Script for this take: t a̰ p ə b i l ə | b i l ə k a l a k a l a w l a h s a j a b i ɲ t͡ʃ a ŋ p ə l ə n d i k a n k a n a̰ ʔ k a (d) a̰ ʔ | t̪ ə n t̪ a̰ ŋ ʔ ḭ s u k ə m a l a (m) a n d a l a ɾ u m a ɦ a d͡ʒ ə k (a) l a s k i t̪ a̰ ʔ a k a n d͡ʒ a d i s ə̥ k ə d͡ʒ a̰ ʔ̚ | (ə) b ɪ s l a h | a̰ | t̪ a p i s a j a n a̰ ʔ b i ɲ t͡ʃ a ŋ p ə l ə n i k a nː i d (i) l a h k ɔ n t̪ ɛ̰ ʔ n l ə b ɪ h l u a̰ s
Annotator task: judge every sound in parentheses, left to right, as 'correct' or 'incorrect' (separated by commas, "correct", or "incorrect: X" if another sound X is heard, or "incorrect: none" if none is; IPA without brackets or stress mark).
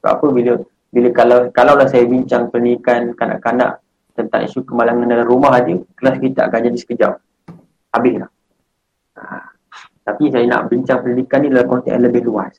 incorrect: n, incorrect: ŋ, incorrect: ə, incorrect: a, incorrect: a